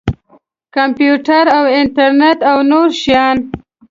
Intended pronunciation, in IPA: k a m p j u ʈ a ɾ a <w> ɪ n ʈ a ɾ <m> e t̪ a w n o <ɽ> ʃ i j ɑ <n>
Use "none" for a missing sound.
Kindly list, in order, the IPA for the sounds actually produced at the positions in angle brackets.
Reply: w, n, ɾ, n

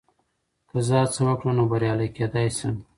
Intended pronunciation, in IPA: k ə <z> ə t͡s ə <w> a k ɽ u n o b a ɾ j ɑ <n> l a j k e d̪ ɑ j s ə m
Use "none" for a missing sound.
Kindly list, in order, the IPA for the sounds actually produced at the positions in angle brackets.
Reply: z, w, none

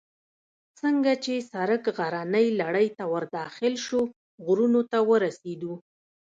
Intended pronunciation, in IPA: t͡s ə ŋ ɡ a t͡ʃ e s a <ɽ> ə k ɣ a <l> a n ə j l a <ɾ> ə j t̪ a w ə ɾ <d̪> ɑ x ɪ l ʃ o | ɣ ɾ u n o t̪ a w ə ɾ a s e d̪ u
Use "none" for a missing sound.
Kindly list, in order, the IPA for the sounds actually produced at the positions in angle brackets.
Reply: ɾ, ɾ, ɽ, d̪

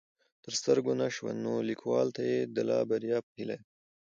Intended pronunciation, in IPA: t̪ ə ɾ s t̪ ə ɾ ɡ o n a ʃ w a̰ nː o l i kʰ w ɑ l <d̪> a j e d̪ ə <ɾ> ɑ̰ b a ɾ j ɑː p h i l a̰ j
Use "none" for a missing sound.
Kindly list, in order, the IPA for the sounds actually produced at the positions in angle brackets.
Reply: t̪, l

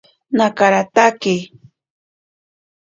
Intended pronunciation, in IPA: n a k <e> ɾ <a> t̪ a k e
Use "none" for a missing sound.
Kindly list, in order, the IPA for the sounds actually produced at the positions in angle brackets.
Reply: a, a

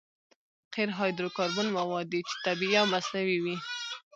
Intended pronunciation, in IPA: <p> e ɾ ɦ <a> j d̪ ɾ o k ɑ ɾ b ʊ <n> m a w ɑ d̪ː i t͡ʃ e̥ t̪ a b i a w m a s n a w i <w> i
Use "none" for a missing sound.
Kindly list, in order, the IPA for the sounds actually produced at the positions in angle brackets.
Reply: q, ɑ, n, w

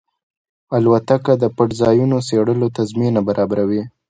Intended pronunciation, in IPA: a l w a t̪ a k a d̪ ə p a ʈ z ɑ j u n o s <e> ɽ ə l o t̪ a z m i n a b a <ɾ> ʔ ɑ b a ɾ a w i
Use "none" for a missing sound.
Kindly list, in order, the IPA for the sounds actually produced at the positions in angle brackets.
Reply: e, ɾ

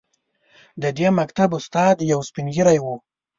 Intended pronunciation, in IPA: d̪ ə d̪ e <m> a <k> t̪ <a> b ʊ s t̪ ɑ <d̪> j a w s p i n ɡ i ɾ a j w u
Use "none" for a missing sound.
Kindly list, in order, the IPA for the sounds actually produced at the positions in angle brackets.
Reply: m, k, a, d̪

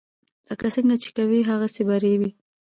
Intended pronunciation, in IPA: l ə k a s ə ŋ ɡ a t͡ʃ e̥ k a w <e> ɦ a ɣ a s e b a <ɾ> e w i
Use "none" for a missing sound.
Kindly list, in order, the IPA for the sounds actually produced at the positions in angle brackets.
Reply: i, ɾ

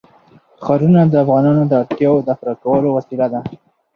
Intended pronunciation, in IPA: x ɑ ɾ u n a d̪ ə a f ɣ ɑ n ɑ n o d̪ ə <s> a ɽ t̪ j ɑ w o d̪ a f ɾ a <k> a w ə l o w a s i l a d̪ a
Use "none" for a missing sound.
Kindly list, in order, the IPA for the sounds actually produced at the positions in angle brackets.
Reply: none, k

